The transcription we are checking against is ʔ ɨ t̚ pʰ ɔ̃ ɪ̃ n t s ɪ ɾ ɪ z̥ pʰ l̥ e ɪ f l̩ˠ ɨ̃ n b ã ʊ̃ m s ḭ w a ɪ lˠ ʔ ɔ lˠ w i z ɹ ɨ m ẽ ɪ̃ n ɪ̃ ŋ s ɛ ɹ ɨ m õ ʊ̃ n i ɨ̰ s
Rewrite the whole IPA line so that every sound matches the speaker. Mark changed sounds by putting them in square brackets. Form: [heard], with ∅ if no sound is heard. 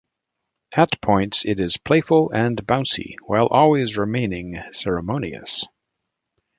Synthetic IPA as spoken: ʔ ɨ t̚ pʰ ɔ̃ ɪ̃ n t s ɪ ɾ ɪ z̥ pʰ l̥ e ɪ f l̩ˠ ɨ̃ n b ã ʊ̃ [n] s ḭ w a ɪ lˠ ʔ ɔ lˠ w i z ɹ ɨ m ẽ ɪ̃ n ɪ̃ ŋ s ɛ ɹ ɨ m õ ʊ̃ n i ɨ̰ s